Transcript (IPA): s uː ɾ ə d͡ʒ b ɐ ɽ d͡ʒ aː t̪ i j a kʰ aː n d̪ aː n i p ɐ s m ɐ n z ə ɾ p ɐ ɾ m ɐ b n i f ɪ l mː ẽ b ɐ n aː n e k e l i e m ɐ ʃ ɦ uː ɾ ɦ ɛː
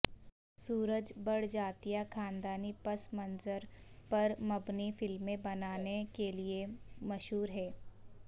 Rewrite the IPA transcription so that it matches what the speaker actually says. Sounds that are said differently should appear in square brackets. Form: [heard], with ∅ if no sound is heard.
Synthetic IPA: s uː ɾ ə d͡ʒ b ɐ ɽ d͡ʒ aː t̪ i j a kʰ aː n d̪ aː n i p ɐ s m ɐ n z ə ɾ p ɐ ɾ m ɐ b n i f ɪ l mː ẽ b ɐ n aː n e k e l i e m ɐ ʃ ɦ uː ɾ ɦ ɛː